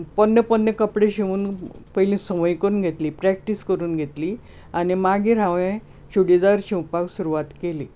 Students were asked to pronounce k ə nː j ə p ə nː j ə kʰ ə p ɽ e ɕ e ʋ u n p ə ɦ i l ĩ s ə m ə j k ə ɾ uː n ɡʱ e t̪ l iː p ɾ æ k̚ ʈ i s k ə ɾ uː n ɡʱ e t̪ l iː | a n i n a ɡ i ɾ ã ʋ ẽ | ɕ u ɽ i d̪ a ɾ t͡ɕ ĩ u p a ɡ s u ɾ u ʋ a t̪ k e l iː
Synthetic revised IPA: p ə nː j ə p ə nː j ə k ə p ɽ e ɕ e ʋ uː n p ə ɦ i l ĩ s ə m ə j k ə ɾ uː n ɡʱ e t̪ l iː p ɾ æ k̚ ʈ i s k ə ɾ uː n ɡʱ e t̪ l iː | a n i m a ɡ i ɾ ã ʋ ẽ | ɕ u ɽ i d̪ a ɾ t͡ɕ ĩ u p a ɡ s u ɾ u ʋ a t̪ k e l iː